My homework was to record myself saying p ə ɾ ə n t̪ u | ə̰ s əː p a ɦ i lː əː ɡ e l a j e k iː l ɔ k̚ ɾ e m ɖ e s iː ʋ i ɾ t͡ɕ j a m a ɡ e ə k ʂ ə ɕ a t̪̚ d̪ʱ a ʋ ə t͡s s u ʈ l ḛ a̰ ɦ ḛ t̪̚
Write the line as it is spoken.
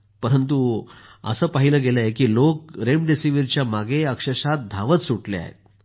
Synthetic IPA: p ə ɾ ə n t̪ u | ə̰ s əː p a ɦ i l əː ɡ e l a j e k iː l o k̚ ɾ e m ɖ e s i ʋ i ɾ t͡ɕ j a m a ɡ e ə k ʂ ə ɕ a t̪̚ d̪ʱ a ʋ ə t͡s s u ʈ l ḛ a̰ ɦ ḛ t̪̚